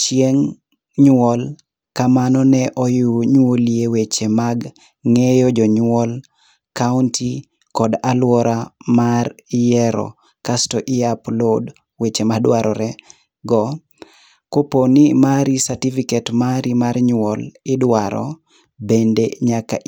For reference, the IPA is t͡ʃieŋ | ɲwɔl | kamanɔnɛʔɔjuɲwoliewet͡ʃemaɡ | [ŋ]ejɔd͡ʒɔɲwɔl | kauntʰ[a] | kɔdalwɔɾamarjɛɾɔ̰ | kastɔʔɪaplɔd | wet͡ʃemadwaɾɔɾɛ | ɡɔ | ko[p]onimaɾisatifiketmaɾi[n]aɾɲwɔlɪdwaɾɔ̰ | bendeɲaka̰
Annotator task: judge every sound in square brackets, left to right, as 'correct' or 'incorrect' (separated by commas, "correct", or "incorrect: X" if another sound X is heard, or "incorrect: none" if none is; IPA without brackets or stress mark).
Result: correct, incorrect: i, correct, incorrect: m